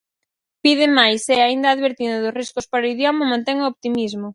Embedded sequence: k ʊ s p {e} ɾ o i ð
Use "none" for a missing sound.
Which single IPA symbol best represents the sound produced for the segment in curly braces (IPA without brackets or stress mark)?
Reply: a